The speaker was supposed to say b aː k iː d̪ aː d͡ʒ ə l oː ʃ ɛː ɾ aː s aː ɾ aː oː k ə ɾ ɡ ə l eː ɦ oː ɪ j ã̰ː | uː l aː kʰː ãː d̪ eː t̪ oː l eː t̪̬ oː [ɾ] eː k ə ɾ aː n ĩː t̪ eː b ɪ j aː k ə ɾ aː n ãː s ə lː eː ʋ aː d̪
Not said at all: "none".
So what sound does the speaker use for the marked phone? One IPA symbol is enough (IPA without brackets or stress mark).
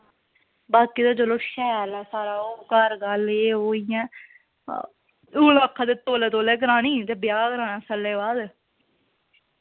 l